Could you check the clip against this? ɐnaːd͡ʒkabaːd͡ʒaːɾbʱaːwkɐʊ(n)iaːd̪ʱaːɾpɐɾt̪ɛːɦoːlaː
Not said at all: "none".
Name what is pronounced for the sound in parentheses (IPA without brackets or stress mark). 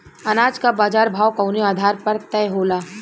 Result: n